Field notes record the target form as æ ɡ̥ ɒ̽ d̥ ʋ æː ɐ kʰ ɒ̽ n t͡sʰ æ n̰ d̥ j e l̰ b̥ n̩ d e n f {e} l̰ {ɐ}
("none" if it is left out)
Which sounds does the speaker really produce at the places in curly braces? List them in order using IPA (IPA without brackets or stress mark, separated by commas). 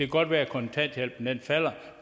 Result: æ, ɐ